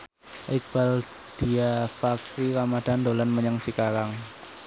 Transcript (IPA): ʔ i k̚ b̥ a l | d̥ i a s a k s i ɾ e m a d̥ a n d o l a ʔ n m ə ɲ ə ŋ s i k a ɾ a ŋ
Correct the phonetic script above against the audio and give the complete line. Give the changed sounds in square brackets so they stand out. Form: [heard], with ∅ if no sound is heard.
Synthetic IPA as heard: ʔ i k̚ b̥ a l | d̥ i a [f] a k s i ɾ [a] m a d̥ a n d o l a [∅] n m ə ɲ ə ŋ s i k a ɾ a ŋ